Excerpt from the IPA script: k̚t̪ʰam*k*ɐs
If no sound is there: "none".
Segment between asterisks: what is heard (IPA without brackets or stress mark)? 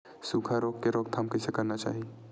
k